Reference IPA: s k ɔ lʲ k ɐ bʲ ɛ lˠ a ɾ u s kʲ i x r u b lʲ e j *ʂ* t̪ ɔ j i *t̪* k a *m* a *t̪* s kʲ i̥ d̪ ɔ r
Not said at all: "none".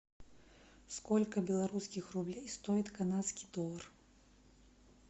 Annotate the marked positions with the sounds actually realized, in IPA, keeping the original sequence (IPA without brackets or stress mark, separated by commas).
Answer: s, t̪, n, t̪